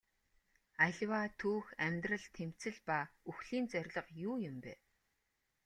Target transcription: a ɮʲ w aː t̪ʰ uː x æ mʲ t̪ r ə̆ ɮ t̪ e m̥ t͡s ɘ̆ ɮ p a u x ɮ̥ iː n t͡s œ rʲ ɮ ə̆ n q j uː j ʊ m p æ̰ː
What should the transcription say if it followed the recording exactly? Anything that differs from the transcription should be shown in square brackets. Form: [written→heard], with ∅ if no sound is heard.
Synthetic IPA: a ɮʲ w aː t̪ʰ uː x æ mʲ t̪ r ə̆ ɮ [t̪→t̪ʰ] e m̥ t͡s ɘ̆ ɮ p a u x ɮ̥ iː n t͡s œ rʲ ɮ ə̆ [n→∅] q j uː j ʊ m p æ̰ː